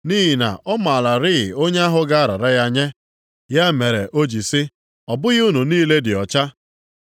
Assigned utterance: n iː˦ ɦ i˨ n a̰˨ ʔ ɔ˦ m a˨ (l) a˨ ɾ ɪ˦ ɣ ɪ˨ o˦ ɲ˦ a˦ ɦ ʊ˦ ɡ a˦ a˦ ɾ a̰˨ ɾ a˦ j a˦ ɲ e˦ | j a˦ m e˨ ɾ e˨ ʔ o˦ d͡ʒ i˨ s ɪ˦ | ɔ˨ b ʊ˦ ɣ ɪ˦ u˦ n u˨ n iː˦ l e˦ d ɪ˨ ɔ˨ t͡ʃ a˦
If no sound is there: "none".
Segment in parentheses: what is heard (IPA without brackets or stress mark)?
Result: l